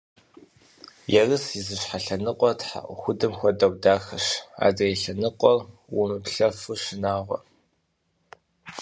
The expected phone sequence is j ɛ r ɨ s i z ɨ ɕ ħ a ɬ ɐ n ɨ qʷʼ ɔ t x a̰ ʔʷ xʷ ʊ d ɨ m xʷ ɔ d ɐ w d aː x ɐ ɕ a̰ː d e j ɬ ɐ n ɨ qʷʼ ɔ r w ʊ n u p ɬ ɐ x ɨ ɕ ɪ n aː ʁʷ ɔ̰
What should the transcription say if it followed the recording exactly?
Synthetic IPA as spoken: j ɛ r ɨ s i z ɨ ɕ ħ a ɬ ɐ n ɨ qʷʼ ɔ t ħ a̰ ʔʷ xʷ ʊ d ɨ m xʷ ɔ d ɐ w d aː x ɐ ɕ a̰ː d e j ɬ ɐ n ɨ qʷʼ ɔ r w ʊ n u p ɬ ɐ f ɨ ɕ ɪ n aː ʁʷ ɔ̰